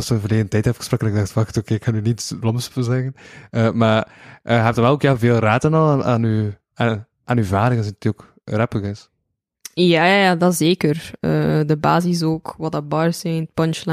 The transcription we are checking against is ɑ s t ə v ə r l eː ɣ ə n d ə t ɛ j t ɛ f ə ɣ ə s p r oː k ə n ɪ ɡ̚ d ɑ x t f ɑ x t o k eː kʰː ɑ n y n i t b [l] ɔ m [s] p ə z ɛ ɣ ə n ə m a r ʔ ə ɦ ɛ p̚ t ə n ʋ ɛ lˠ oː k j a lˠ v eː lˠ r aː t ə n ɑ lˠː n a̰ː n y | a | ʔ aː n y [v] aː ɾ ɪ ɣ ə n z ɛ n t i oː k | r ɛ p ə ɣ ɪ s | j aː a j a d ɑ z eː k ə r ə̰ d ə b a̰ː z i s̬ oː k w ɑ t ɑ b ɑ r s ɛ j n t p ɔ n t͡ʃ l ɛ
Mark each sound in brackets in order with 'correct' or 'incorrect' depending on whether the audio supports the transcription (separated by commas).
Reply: correct, correct, correct